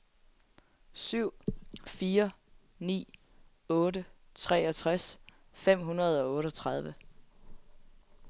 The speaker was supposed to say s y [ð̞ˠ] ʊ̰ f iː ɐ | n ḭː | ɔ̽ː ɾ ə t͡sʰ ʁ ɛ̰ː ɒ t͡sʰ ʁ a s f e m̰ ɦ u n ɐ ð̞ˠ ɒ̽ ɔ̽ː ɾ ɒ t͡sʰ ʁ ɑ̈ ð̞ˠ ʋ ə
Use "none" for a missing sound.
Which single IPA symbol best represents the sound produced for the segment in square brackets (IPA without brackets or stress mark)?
none